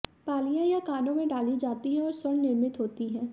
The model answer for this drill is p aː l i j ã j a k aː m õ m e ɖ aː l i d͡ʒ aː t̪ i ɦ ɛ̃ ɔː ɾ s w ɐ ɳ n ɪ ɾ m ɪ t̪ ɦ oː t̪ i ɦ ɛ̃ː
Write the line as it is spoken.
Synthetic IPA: p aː l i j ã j a k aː n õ m ẽ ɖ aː l i d͡ʒ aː t̪ i ɦ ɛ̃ ɔː ɾ s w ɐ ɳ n ɪ ɾ m ɪ t̪ ɦ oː t̪ i ɦ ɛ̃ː